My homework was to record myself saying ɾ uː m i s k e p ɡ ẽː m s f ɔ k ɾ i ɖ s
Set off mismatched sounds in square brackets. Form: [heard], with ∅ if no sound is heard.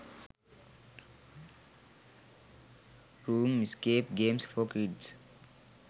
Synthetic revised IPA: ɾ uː m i s k e p ɡ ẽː m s f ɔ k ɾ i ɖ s